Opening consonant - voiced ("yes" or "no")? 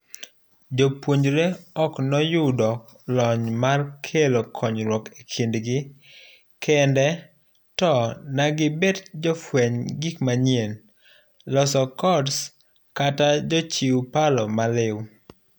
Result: yes